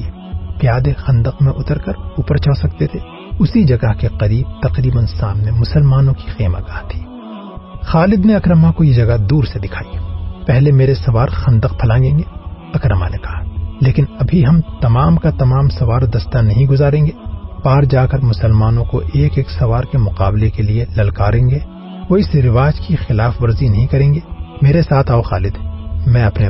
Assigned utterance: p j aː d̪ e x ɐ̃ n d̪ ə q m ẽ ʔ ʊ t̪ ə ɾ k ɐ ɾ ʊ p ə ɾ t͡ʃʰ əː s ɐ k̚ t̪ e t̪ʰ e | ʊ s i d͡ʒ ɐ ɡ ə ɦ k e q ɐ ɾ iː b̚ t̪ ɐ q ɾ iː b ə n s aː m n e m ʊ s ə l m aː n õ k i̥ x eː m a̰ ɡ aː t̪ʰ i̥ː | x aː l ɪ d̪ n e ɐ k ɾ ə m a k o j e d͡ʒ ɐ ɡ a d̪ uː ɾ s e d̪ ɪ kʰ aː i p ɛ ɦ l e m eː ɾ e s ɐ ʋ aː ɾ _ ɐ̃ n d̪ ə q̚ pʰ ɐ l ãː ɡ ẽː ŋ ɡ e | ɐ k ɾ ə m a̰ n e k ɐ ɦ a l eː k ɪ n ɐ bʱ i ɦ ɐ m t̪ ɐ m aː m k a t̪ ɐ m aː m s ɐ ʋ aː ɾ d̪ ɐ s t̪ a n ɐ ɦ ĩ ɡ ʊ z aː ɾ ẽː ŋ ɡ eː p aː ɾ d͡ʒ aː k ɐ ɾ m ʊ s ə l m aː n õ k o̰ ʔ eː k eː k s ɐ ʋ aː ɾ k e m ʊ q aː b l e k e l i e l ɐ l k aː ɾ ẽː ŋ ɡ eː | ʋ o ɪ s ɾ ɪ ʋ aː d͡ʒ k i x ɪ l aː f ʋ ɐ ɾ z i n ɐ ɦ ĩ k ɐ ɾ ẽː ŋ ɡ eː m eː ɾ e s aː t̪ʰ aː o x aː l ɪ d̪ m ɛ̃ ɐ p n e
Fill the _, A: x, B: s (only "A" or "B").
A